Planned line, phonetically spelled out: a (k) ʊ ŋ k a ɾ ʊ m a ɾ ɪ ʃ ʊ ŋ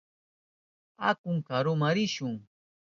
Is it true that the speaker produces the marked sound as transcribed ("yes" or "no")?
yes